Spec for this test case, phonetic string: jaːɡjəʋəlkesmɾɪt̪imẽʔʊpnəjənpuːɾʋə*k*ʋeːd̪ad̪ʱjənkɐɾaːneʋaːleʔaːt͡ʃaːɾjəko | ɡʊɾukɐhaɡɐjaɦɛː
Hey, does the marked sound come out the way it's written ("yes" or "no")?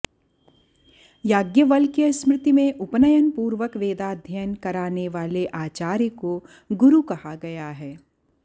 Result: yes